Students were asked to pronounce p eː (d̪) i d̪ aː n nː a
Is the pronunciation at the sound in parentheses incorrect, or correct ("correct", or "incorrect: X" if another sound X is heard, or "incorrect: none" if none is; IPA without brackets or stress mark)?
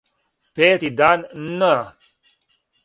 incorrect: t̪